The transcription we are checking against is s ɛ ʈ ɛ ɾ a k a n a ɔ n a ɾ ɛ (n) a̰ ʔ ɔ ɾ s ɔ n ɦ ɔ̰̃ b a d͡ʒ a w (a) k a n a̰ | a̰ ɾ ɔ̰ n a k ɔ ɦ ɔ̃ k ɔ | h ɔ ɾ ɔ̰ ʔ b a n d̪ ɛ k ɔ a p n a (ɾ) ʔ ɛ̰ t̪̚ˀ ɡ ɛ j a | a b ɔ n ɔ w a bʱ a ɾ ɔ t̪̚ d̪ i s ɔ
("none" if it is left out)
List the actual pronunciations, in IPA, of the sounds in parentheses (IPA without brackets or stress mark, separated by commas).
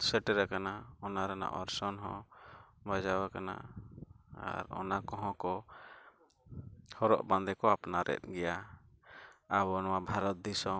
n, a, ɾ